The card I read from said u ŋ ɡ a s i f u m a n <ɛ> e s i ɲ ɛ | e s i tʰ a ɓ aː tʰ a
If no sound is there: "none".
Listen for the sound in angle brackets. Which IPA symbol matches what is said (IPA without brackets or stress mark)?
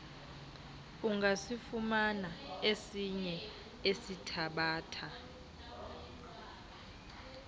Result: a